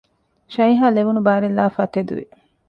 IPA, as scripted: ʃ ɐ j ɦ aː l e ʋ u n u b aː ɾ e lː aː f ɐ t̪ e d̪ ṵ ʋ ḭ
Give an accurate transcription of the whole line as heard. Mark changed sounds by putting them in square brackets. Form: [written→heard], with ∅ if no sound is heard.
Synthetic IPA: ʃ ɐ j ɦ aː l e ʋ u n u b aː ɾ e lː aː f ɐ t̪ e d̪ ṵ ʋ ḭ